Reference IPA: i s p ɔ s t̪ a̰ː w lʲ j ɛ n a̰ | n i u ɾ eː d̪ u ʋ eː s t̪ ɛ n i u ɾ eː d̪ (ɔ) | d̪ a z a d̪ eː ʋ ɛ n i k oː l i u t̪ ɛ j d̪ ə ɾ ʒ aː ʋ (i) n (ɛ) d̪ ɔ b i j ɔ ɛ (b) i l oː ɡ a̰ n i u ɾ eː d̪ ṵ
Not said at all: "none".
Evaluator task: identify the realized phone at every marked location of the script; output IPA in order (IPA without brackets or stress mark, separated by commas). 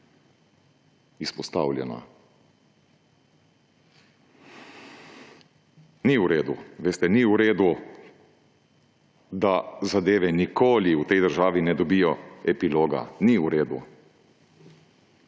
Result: u, i, ɛ, p